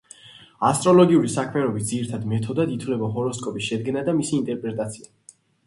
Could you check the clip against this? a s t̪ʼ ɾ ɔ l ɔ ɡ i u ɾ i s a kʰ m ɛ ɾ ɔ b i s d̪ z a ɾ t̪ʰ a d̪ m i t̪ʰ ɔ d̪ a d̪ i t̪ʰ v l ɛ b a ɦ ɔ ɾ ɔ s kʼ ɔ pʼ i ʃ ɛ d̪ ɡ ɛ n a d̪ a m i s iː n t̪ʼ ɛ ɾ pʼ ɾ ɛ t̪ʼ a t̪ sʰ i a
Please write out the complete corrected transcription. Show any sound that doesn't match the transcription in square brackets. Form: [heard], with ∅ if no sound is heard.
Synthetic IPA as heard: a s t̪ʼ ɾ ɔ l ɔ ɡ i u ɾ i s a kʰ m ɛ ɾ ɔ b i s d̪ z [i] ɾ t̪ʰ a d̪ m [ɛ] t̪ʰ ɔ d̪ a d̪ i t̪ʰ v l ɛ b a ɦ ɔ ɾ ɔ s kʼ ɔ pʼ i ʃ ɛ d̪ ɡ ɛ n a d̪ a m i s iː n t̪ʼ ɛ ɾ pʼ ɾ ɛ t̪ʼ a t̪ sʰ i a

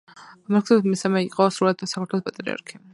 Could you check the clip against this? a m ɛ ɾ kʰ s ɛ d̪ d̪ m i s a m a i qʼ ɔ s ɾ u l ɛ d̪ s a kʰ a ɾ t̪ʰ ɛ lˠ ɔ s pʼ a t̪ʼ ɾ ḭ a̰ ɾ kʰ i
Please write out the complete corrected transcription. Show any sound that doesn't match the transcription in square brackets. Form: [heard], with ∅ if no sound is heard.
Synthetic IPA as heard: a m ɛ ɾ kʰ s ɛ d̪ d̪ m i s a m [ɛ] i qʼ ɔ s ɾ u l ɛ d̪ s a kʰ a ɾ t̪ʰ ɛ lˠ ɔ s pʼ a t̪ʼ ɾ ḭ a̰ ɾ kʰ i

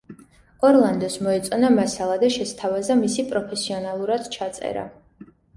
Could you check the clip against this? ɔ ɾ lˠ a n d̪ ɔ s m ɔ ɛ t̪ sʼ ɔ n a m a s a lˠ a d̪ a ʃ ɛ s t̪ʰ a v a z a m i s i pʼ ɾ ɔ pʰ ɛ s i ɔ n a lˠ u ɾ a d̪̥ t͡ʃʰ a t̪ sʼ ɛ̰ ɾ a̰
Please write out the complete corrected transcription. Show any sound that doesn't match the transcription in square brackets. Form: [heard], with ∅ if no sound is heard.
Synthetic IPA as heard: ɔ ɾ lˠ a n d̪ ɔ s m ɔ ɛ t̪ sʼ ɔ n a m a s a lˠ a d̪ a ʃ ɛ s t̪ʰ a v a z a m i s i pʼ ɾ ɔ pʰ ɛ s i ɔ n a lˠ u ɾ a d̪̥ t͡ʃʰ a t̪ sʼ ɛ̰ ɾ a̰

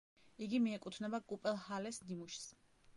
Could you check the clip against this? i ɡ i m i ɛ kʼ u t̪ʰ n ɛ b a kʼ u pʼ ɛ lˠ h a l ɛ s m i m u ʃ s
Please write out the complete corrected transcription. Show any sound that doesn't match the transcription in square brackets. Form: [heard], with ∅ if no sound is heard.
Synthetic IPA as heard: i ɡ i m i ɛ kʼ u t̪ʰ n ɛ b a kʼ u pʼ ɛ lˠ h a l ɛ s [n] i m u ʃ s

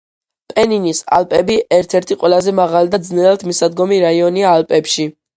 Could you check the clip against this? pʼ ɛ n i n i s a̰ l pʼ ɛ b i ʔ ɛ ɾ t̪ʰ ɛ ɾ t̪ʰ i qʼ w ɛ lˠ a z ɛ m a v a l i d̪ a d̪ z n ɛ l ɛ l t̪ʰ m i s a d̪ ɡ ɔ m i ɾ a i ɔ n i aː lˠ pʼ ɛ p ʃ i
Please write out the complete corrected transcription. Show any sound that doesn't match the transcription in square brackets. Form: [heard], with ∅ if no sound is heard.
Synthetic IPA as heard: pʼ ɛ n i n i s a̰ l pʼ ɛ b i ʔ ɛ ɾ t̪ʰ ɛ ɾ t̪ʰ i qʼ w ɛ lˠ a z ɛ m a [ʁ] a l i d̪ a d̪ z n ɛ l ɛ l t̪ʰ m i s a d̪ ɡ ɔ m i ɾ a i ɔ n i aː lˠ pʼ ɛ p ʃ i

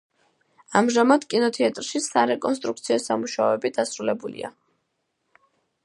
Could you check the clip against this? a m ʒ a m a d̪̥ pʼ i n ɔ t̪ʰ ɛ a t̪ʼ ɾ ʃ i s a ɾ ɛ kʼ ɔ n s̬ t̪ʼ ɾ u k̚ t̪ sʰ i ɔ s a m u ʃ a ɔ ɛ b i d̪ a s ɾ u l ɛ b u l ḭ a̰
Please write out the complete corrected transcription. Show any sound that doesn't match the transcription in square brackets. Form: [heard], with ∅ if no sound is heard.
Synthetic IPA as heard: a m ʒ a m a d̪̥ [kʼ] i n ɔ t̪ʰ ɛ a t̪ʼ ɾ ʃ i s a ɾ ɛ kʼ ɔ n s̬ t̪ʼ ɾ u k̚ t̪ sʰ i ɔ s a m u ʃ a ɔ ɛ b i d̪ a s ɾ u l ɛ b u l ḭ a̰

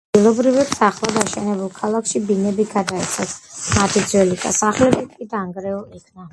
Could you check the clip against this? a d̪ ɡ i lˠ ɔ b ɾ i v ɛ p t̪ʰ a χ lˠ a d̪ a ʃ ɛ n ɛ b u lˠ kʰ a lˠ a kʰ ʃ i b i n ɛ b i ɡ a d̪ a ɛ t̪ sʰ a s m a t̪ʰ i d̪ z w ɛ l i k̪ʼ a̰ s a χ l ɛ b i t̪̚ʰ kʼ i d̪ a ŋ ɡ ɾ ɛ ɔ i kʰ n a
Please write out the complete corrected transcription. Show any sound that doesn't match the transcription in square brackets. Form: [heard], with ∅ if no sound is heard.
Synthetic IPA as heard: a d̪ ɡ i lˠ ɔ b ɾ i v ɛ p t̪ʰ a χ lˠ a d̪ a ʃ ɛ n ɛ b u lˠ kʰ a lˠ a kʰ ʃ i b i n ɛ b i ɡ a d̪ a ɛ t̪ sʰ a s m a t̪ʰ i d̪ z w ɛ l i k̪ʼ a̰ s a χ l ɛ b i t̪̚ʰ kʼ i d̪ a ŋ ɡ ɾ ɛ ɔ i kʰ n a

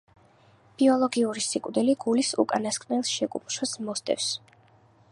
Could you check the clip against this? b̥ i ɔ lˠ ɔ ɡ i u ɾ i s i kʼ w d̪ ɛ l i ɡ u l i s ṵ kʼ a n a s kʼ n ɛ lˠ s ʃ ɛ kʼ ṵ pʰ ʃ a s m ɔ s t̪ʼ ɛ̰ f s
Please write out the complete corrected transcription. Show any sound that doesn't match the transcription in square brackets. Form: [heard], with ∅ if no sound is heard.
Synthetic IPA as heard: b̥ i ɔ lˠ ɔ ɡ i u ɾ i s i kʼ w d̪ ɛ l i ɡ u l i s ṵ kʼ a n a s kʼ n ɛ lˠ s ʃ ɛ kʼ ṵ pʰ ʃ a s m ɔ s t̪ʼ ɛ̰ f s

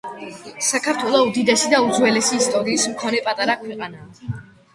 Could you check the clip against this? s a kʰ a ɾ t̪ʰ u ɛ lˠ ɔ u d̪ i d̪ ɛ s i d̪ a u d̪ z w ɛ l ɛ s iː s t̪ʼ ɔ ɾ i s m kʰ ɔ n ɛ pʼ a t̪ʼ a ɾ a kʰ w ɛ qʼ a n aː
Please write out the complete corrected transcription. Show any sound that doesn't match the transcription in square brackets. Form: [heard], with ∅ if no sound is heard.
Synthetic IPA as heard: s a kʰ a ɾ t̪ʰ [w] ɛ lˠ ɔ u d̪ i d̪ ɛ s i d̪ a u d̪ z w ɛ l ɛ s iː s t̪ʼ ɔ ɾ [iː] s m kʰ ɔ n ɛ pʼ a t̪ʼ a ɾ a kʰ w ɛ qʼ a n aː

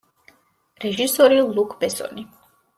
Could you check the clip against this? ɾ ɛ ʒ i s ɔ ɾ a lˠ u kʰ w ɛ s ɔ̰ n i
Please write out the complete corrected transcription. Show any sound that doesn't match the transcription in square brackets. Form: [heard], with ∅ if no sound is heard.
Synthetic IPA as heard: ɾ ɛ ʒ i s ɔ ɾ [i] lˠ u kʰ [b] ɛ s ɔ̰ n i

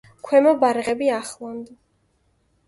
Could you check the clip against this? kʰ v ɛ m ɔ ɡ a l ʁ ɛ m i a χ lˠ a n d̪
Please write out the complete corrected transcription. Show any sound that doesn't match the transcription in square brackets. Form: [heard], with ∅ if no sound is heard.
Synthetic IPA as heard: kʰ [w] ɛ m ɔ [b] a [ɾ] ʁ ɛ [b] i a χ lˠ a n d̪

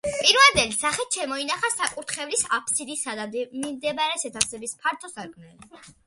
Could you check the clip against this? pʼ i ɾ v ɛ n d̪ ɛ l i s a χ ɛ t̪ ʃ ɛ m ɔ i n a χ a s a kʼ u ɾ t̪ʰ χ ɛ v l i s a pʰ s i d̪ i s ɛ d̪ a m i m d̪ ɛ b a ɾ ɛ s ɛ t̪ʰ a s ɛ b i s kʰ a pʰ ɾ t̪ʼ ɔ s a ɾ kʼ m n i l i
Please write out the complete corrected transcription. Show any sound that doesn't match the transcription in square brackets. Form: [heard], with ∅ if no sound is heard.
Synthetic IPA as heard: pʼ i ɾ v ɛ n d̪ ɛ l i s a χ ɛ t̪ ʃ ɛ m ɔ i n a χ a s a kʼ u ɾ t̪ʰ χ ɛ v l i s a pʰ s i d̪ i s [a] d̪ a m i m d̪ ɛ b a ɾ ɛ s ɛ t̪ʰ a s ɛ b i s [pʰ] a [∅] ɾ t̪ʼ ɔ s a ɾ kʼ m n [ɛ] l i

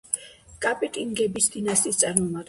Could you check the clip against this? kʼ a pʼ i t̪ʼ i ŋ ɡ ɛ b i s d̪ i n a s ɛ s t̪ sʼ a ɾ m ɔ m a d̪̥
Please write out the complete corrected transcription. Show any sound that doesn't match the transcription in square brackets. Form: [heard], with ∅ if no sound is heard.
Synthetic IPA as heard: kʼ a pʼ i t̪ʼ i ŋ ɡ ɛ b i s d̪ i n a s [i] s t̪ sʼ a ɾ m ɔ m a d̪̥

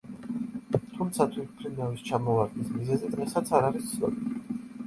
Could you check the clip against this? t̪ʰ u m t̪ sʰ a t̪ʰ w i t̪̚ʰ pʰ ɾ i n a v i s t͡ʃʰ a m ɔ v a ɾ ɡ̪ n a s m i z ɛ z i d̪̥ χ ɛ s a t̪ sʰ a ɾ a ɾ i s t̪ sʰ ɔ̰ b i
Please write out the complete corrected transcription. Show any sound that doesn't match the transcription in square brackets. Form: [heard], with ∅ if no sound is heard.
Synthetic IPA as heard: t̪ʰ u m t̪ sʰ a t̪ʰ w i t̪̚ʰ pʰ ɾ i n a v i s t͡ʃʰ a m ɔ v a ɾ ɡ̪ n [i] s m i z ɛ z i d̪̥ [ʁ] ɛ s a t̪ sʰ a ɾ a ɾ i s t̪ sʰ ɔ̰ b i

